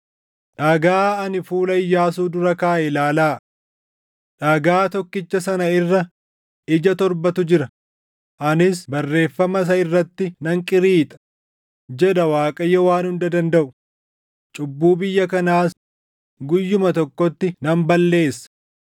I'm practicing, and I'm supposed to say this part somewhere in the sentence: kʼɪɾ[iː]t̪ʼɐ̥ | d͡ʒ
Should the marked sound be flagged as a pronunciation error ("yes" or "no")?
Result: no